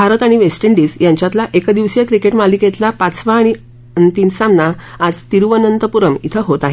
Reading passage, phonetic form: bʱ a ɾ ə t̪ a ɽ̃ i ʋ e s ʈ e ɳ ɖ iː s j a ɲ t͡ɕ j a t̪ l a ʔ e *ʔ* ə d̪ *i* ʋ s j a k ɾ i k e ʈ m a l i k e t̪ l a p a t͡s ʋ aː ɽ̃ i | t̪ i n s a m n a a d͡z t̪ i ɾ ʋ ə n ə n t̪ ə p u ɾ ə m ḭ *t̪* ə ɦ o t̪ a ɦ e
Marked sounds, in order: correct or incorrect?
incorrect: k, correct, incorrect: t̪ʰ

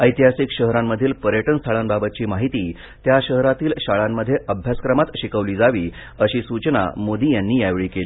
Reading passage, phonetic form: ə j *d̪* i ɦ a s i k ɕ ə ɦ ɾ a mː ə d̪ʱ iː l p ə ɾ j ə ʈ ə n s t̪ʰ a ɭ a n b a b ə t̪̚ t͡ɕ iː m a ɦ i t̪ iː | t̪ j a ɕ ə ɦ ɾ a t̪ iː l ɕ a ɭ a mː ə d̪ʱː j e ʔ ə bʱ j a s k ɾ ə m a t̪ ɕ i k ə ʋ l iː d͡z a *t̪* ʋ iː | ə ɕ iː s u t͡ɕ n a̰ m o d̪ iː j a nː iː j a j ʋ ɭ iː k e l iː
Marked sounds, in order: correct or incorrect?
incorrect: t̪, incorrect: none

